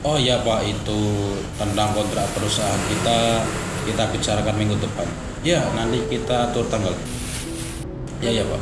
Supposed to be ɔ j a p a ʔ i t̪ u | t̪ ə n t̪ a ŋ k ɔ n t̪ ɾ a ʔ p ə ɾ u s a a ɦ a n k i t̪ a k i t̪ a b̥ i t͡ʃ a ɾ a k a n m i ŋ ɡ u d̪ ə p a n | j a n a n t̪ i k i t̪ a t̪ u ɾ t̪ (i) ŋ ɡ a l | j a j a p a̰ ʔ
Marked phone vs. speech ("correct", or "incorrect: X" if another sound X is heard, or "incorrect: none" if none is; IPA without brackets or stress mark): incorrect: a